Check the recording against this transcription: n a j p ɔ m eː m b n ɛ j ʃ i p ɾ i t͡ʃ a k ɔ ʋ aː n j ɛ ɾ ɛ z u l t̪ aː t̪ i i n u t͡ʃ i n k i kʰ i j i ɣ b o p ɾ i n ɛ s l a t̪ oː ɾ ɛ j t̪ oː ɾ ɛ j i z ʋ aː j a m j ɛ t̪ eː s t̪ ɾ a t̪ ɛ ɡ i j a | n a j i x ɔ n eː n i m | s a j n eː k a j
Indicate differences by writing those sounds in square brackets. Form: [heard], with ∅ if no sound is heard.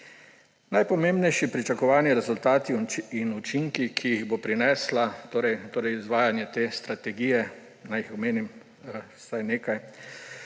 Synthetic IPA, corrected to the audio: n a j p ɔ m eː m b n ɛ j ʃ i p ɾ i t͡ʃ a k ɔ ʋ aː n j ɛ ɾ ɛ z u l t̪ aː t̪ i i n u t͡ʃ i [ŋ] k i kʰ i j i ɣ b o p ɾ i n ɛ s l a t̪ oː ɾ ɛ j t̪ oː ɾ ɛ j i z ʋ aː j a [n] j ɛ t̪ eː s t̪ ɾ a t̪ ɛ ɡ i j [ɛ] | n a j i x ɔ [m] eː n i m | s a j n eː k a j